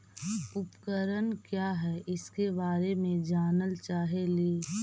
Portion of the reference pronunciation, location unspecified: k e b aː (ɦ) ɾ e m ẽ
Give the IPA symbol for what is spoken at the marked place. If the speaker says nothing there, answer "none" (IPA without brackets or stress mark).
none